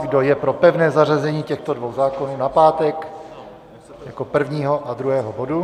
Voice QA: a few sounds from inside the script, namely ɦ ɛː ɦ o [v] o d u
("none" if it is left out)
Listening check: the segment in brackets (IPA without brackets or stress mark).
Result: b